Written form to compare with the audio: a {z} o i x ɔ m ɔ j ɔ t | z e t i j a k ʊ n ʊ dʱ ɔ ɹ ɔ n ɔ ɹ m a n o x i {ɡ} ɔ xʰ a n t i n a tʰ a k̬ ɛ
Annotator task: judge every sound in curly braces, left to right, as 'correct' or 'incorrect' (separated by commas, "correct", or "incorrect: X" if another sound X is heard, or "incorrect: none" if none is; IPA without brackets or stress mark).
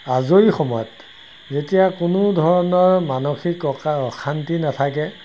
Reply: correct, incorrect: k